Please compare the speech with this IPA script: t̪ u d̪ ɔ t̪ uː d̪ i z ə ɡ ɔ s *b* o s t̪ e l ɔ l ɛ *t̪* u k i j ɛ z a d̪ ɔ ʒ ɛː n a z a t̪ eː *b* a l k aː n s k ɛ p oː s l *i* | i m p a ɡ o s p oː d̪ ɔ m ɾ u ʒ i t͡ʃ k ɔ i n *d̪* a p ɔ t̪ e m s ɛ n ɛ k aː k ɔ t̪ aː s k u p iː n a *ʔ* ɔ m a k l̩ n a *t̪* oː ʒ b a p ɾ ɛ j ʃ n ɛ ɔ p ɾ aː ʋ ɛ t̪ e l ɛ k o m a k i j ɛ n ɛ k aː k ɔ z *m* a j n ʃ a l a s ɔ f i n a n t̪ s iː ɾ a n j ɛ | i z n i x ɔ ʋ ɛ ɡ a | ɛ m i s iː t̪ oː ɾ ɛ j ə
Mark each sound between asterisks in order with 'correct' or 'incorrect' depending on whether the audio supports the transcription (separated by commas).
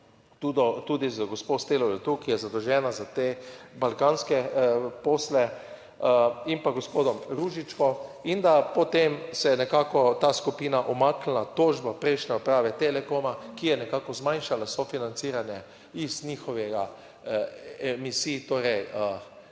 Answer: incorrect, correct, correct, incorrect, correct, correct, correct, correct